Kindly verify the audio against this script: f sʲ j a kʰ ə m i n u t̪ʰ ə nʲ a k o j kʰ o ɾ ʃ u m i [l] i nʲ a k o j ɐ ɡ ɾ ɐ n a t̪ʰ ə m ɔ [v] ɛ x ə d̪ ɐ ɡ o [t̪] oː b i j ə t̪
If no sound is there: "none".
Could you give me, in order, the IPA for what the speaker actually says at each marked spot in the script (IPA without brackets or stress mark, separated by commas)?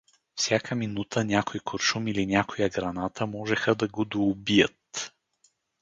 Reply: l, ʒ, d̪